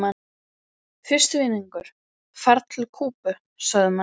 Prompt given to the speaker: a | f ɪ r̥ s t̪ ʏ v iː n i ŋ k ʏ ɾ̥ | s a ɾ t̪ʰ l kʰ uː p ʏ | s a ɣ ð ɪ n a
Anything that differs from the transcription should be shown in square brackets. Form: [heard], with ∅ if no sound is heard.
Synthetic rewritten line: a | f ɪ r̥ s t̪ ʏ v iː n i ŋ k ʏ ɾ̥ | [f] a ɾ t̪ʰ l kʰ uː p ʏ | s a ɣ ð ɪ [m] a